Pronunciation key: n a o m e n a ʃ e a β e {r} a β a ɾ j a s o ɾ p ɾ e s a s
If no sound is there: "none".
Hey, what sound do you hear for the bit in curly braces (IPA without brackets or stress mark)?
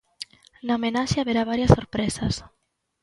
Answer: ɾ